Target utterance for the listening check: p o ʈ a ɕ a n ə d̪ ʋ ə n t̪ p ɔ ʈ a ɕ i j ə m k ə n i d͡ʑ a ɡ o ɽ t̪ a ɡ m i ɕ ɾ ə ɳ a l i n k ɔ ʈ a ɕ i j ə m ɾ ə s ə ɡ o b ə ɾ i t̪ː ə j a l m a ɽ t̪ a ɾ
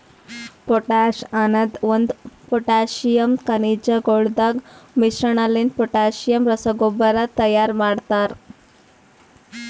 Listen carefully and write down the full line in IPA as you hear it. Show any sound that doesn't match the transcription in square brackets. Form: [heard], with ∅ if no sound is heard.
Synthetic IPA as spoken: p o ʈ a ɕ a n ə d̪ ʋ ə n [d̪] p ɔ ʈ a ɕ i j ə m k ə n i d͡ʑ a ɡ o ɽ [d̪] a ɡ m i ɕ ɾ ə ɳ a l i n [p] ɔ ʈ a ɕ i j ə m ɾ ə s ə ɡ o b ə ɾ [a] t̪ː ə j a [ɾ] m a ɽ t̪ a ɾ